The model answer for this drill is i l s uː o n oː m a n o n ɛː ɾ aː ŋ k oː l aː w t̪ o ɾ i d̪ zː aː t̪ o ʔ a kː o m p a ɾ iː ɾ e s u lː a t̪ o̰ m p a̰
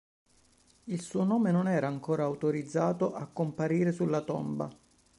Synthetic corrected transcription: i l s uː o n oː m e n o n ɛː ɾ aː ŋ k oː ɾ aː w t̪ o ɾ i d̪ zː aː t̪ o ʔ a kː o m p a ɾ iː ɾ e s u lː a t̪ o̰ m b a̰